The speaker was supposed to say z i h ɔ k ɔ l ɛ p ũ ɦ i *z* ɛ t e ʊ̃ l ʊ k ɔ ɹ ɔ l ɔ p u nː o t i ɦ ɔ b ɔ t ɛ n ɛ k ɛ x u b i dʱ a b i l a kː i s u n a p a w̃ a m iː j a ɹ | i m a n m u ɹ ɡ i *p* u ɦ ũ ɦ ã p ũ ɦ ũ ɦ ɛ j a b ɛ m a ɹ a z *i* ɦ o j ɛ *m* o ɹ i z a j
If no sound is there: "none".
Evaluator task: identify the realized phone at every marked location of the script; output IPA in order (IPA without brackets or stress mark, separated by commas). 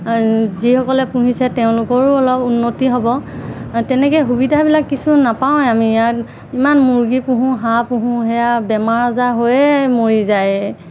s, p, a, m